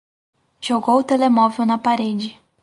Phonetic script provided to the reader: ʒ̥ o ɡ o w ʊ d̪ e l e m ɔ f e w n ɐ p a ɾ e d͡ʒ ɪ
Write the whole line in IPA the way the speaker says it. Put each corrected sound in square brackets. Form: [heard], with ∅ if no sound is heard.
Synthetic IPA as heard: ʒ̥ o ɡ o w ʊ [t̪] e l e m ɔ [v] e w n ɐ p a ɾ e d͡ʒ ɪ

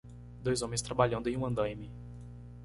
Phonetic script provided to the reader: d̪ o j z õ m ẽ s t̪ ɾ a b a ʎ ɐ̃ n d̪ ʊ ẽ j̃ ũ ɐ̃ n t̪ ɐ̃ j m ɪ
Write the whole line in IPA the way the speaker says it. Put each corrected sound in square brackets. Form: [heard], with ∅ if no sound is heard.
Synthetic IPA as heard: d̪ o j z õ m ẽ s t̪ ɾ a b a ʎ ɐ̃ n d̪ ʊ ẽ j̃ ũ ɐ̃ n [d̪] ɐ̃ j m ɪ

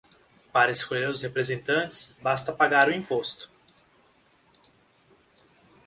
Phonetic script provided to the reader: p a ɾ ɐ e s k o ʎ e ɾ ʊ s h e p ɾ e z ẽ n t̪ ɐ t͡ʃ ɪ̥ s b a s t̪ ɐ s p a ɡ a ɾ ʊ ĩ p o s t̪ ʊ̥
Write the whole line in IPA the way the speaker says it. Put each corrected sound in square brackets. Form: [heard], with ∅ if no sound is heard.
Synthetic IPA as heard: p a ɾ ɐ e s k o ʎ e ɾ ʊ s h e p ɾ e z ẽ n t̪ [ɐ̃] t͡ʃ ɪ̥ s b a s t̪ ɐ [∅] p a ɡ a ɾ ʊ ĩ p o s t̪ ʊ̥

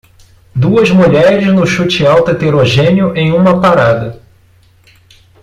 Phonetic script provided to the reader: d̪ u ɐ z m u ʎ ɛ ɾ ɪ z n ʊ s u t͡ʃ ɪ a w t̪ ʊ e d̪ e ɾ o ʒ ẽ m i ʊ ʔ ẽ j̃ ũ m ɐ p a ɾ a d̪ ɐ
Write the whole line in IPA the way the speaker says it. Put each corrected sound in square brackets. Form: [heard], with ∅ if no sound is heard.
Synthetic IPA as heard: d̪ u ɐ z m u ʎ ɛ ɾ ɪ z n ʊ [ʃ] u t͡ʃ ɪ a w t̪ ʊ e [t̪] e ɾ o ʒ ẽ [n] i ʊ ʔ ẽ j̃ ũ m ɐ p a ɾ a d̪ ɐ

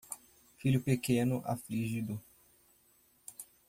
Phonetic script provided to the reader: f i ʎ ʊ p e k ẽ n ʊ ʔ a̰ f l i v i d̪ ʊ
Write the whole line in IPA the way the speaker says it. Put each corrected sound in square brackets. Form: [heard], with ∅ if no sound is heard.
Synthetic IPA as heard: f i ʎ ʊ p e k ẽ n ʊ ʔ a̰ f l i [ʒ] i d̪ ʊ

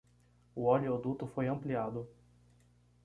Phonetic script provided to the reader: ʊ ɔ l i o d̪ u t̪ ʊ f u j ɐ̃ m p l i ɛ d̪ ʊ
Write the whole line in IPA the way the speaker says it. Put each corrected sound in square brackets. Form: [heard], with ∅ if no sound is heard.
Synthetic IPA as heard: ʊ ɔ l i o d̪ u t̪ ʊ f [o] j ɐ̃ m p l i [a] d̪ ʊ

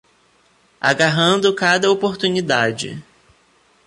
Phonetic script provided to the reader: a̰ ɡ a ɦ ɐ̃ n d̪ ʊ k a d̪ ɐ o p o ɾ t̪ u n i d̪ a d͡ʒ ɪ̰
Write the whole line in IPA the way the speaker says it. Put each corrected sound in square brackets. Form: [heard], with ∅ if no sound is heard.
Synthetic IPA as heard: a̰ ɡ a ɦ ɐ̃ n d̪ ʊ k a d̪ ɐ o p o ɾ t̪ u n i d̪ a d͡ʒ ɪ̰

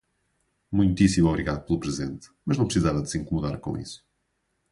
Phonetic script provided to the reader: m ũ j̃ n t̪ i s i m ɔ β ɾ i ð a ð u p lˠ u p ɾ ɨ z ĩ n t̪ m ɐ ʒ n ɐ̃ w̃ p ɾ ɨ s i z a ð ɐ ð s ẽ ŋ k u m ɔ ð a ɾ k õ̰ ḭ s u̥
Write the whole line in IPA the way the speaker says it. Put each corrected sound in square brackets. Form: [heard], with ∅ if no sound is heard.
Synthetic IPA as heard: m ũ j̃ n t̪ i s i m ɔ β ɾ i [ɣ] a ð u p lˠ u p ɾ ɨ z [ẽ] n t̪ m ɐ ʒ n ɐ̃ w̃ p ɾ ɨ s i z a [v] ɐ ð s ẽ ŋ k u m [u] ð a ɾ k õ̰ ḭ s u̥

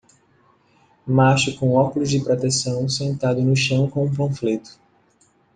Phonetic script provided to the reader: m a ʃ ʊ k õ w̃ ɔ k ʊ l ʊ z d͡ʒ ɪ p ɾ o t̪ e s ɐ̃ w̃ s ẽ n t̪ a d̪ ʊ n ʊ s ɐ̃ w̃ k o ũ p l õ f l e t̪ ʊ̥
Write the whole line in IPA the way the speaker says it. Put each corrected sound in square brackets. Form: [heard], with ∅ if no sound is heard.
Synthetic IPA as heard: m a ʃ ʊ k õ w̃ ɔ k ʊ l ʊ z d͡ʒ ɪ p ɾ o t̪ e s ɐ̃ w̃ s ẽ n t̪ a d̪ ʊ n ʊ [ʃ] ɐ̃ w̃ k [õ] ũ p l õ f l e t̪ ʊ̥

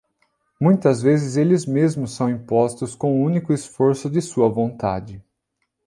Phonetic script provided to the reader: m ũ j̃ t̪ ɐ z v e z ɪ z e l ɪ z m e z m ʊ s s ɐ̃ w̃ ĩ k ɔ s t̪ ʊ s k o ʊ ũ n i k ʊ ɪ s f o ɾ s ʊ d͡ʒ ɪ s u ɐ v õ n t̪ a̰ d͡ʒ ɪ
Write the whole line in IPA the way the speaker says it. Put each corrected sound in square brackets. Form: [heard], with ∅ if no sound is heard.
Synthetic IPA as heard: m ũ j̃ t̪ ɐ z v e z ɪ z e l ɪ z m e z m ʊ s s ɐ̃ w̃ ĩ [p] ɔ s t̪ ʊ s k [õ] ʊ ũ n i k ʊ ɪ s f o ɾ s ʊ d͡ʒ ɪ s u ɐ v õ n t̪ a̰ d͡ʒ ɪ

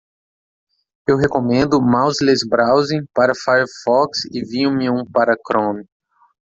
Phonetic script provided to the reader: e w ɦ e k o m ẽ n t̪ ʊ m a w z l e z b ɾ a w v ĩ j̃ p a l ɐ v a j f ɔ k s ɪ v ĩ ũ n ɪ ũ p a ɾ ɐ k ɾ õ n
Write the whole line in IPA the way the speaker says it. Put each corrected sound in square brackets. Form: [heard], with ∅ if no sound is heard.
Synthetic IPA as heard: e w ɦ e k o m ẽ n [d̪] ʊ m a w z l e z b ɾ a w [z] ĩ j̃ p a [ɾ] ɐ [f] a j f ɔ k s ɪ v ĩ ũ [m] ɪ ũ p a ɾ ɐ k ɾ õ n

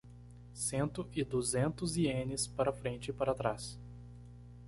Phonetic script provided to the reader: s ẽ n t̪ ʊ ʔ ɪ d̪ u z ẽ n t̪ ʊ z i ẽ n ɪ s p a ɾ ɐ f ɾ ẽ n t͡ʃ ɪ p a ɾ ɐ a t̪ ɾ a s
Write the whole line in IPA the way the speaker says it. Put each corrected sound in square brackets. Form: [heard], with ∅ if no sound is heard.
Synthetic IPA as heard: s ẽ n t̪ ʊ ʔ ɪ d̪ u z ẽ n t̪ ʊ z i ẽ n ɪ s p a ɾ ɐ f ɾ ẽ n t͡ʃ ɪ p a ɾ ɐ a t̪ ɾ a s

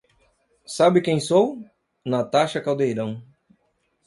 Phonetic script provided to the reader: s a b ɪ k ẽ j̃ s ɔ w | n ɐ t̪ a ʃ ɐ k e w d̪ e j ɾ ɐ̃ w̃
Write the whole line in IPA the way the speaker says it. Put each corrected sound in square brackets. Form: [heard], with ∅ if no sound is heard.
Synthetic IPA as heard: s a b ɪ k ẽ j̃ s [o] w | n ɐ t̪ a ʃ ɐ k [a] w d̪ e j ɾ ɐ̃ w̃

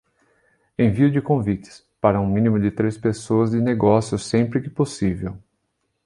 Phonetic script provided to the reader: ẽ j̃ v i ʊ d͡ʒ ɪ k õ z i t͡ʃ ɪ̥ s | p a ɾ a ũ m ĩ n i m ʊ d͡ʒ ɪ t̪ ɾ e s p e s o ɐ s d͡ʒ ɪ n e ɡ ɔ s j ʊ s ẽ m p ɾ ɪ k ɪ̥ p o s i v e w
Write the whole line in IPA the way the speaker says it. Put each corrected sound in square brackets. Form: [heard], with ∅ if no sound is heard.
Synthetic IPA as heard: ẽ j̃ v i ʊ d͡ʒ ɪ k õ [v] i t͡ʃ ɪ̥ s | p a ɾ [ɐ] ũ m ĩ n i m ʊ d͡ʒ ɪ t̪ ɾ e s p e s o ɐ [z] d͡ʒ ɪ n e ɡ ɔ s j ʊ s ẽ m p ɾ ɪ k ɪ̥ p o s i v e w

